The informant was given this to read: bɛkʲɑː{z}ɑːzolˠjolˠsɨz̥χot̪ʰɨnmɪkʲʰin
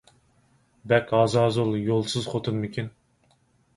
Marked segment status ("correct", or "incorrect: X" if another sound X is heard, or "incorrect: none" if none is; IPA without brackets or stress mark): correct